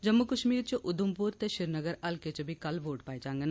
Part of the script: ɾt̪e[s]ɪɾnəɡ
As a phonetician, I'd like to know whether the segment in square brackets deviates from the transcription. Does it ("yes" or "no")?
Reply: yes